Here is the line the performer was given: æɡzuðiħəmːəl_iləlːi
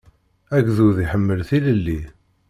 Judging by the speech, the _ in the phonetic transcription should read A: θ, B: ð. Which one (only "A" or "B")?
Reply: A